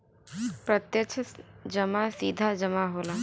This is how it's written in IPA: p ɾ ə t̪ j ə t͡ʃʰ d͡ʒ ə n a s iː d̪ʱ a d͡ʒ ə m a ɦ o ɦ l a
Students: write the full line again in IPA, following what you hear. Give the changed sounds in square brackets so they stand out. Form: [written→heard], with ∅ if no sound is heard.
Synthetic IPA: p ɾ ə t̪ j ə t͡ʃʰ d͡ʒ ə [n→m] a s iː d̪ʱ a d͡ʒ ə m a ɦ o [ɦ→∅] l a